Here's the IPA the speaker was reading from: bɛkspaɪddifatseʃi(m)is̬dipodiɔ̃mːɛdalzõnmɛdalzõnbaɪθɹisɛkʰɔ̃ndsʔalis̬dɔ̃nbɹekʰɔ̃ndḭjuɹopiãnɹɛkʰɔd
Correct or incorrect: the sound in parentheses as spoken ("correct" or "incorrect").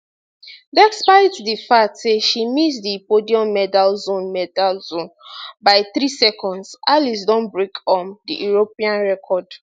correct